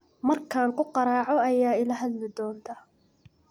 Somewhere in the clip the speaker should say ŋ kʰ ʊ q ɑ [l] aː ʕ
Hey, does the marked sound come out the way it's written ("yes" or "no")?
no